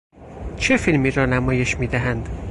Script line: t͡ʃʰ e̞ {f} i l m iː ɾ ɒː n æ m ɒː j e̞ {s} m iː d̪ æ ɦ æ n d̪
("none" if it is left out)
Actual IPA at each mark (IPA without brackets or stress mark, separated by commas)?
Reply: f, ʃ